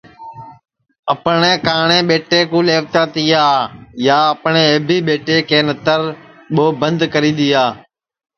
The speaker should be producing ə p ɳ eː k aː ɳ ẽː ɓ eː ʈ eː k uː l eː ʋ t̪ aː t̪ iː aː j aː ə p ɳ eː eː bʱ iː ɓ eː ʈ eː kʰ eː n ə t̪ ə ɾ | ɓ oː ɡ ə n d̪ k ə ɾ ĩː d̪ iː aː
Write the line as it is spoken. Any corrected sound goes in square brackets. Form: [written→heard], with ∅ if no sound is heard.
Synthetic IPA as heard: ə p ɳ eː k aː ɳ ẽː ɓ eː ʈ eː k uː l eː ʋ t̪ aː t̪ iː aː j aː ə p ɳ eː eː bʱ iː ɓ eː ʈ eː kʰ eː n ə t̪ ə ɾ | ɓ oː [ɡ→b] ə n d̪ k ə ɾ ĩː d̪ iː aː

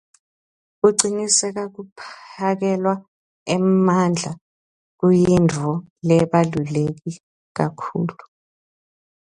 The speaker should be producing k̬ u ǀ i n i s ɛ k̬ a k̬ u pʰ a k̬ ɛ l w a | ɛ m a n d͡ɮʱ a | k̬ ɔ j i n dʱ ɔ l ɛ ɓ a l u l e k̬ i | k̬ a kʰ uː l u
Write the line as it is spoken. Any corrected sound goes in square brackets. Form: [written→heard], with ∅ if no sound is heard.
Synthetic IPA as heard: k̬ u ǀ i n i s ɛ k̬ a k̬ u pʰ a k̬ ɛ l w a | ɛ m a n d͡ɮʱ a | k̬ [ɔ→u] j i n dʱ ɔ l ɛ ɓ a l u l e k̬ i | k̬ a kʰ uː l u

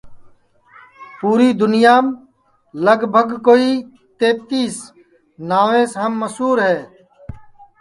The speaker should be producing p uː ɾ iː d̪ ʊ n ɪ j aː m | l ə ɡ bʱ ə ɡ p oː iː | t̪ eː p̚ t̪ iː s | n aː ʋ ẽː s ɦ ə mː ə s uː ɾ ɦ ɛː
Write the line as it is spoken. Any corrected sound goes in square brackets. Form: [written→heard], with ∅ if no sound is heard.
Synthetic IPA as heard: p uː ɾ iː d̪ ʊ n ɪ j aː m | l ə ɡ bʱ ə ɡ [p→k] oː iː | t̪ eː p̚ t̪ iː s | n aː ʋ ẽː s ɦ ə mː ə s uː ɾ ɦ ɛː

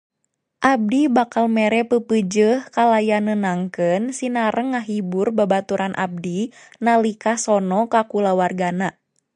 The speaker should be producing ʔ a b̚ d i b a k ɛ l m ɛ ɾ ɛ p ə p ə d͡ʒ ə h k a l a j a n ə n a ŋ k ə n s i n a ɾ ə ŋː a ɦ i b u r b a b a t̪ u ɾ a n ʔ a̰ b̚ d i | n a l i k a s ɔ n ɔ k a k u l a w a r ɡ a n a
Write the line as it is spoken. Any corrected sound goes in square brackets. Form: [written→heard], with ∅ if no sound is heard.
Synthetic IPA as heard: ʔ a b̚ d i b a k [ɛ→a] l m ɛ ɾ ɛ p ə p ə d͡ʒ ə h k a l a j a n ə n a ŋ k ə n s i n a ɾ ə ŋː a ɦ i b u r b a b a t̪ u ɾ a n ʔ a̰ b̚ d i | n a l i k a s ɔ n ɔ k a k u l a w a r ɡ a n a

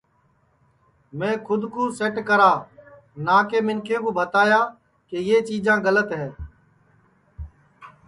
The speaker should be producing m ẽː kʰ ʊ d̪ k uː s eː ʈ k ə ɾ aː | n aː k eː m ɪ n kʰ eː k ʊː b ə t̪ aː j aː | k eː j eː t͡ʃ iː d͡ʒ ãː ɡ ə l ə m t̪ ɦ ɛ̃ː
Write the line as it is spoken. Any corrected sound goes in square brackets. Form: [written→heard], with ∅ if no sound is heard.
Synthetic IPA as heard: m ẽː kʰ ʊ d̪ k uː s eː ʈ k ə ɾ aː | n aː k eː m ɪ n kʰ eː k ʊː b ə t̪ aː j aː | k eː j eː t͡ʃ iː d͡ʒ ãː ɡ ə l ə [m→∅] t̪ ɦ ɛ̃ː

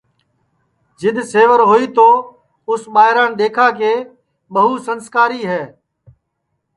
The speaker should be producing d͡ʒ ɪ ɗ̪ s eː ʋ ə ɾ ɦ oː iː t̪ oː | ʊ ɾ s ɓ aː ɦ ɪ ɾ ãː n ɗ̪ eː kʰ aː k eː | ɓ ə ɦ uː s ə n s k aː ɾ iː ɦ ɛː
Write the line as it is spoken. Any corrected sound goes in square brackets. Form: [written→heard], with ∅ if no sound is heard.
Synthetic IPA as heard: d͡ʒ ɪ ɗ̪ s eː ʋ ə ɾ ɦ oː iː t̪ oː | ʊ [ɾ→∅] s ɓ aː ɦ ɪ ɾ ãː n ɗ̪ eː kʰ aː k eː | ɓ ə ɦ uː s ə n s k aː ɾ iː ɦ ɛː

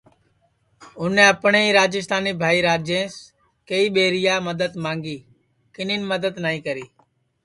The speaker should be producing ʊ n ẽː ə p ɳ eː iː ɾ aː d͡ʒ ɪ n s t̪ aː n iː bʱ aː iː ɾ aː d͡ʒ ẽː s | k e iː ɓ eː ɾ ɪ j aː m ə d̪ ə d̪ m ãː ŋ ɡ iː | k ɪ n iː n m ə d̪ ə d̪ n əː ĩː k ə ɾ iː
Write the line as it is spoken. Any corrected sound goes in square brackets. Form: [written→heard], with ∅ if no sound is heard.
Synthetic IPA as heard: ʊ n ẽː ə p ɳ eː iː ɾ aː d͡ʒ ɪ [n→∅] s t̪ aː n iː bʱ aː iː ɾ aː d͡ʒ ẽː s | k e iː ɓ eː ɾ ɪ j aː m ə d̪ ə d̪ m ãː ŋ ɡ iː | k ɪ n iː n m ə d̪ ə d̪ n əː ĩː k ə ɾ iː

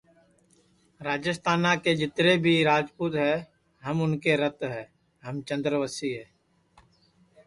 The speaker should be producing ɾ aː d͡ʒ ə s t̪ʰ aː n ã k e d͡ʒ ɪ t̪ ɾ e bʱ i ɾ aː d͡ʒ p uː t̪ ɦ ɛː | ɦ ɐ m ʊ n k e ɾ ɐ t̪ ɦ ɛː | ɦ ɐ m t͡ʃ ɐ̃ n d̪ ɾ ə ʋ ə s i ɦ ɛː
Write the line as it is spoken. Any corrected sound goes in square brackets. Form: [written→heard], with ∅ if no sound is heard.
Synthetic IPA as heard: ɾ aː d͡ʒ ə s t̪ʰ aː n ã k e d͡ʒ ɪ t̪ ɾ e bʱ i ɾ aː d͡ʒ p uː t̪ ɦ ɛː | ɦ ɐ m ʊ n k e ɾ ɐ t̪ ɦ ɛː | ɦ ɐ m t͡ʃ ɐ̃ n d̪ ɾ ə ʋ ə s i ɦ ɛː

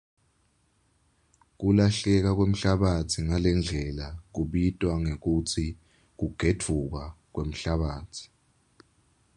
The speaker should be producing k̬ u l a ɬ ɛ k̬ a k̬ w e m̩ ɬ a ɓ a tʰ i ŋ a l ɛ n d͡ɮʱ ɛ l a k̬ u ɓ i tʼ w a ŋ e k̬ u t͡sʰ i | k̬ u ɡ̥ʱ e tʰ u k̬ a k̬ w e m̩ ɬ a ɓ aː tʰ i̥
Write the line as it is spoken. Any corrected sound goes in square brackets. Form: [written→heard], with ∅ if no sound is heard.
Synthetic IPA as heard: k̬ u l a ɬ ɛ k̬ a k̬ w e m̩ ɬ a ɓ a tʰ i ŋ a l ɛ n d͡ɮʱ ɛ l a k̬ u ɓ i tʼ w a ŋ e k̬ u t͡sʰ i | k̬ u ɡ̥ʱ e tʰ u k̬ a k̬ w e m̩ ɬ a ɓ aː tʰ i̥

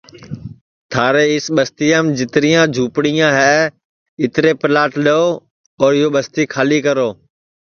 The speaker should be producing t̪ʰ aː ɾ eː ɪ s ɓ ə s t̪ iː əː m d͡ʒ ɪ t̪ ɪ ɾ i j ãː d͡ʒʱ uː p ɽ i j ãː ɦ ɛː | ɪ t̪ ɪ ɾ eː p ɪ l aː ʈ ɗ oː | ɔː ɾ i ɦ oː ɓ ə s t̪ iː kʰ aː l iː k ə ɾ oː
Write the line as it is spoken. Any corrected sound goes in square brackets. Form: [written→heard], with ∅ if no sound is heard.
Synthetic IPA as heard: t̪ʰ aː ɾ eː ɪ s ɓ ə s t̪ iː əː m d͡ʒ ɪ t̪ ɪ ɾ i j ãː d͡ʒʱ uː p ɽ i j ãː ɦ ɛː | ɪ t̪ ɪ ɾ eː p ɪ l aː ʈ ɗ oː | ɔː ɾ [i→ɪ] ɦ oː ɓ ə s t̪ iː kʰ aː l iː k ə ɾ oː

